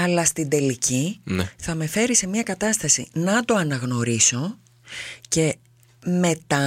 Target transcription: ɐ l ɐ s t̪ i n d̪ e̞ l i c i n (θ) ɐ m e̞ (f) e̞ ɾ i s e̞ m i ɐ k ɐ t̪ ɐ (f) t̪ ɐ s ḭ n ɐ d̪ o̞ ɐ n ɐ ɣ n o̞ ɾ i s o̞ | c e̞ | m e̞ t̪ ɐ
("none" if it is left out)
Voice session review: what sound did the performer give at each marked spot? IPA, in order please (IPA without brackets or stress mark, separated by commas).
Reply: θ, f, s